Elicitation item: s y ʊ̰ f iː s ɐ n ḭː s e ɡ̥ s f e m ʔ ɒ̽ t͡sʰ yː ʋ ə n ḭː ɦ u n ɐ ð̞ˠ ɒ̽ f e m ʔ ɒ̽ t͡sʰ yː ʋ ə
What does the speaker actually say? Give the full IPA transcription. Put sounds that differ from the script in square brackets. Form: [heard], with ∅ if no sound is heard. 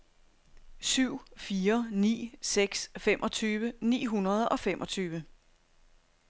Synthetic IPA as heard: s y ʊ̰ f iː [∅] ɐ n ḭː s e ɡ̥ s f e m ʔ ɒ̽ t͡sʰ yː ʋ ə n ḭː ɦ u n ɐ ð̞ˠ ɒ̽ f e m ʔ ɒ̽ t͡sʰ yː ʋ ə